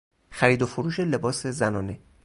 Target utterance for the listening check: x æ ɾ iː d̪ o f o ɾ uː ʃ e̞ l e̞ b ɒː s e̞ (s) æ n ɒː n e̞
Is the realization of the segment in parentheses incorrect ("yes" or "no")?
yes